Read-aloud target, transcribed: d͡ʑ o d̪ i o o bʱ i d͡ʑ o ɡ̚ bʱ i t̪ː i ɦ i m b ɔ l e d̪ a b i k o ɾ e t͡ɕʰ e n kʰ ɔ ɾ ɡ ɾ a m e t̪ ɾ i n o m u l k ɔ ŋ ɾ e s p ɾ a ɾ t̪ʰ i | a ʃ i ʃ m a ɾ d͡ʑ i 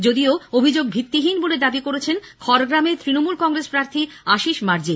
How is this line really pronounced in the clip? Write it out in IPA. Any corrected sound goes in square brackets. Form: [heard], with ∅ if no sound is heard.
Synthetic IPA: d͡ʑ o d̪ i o o bʱ i d͡ʑ o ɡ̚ bʱ i t̪ː i ɦ i [n] b [o] l e d̪ a b i k o ɾ e t͡ɕʰ e n kʰ ɔ ɾ ɡ ɾ a m e t̪ ɾ i n o m u l k ɔ ŋ ɾ e s p ɾ a ɾ t̪ʰ i | a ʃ i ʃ m a ɾ d͡ʑ i